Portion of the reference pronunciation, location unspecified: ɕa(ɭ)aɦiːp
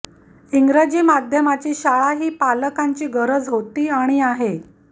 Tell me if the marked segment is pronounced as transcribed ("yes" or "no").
yes